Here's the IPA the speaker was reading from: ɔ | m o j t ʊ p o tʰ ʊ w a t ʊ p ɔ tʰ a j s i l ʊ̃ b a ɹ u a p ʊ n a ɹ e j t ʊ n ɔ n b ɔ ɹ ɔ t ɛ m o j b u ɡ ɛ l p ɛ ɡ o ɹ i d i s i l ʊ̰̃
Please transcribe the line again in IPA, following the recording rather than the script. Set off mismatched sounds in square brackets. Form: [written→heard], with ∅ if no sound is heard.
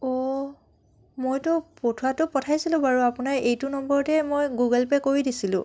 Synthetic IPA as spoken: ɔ | m o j t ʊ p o tʰ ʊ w a t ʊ p ɔ tʰ a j s i l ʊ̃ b a ɹ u a p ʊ n a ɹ e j t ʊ n ɔ [n→m] b ɔ ɹ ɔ t ɛ m o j [b→ɡ] u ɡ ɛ l p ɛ [ɡ→k] o ɹ i d i s i l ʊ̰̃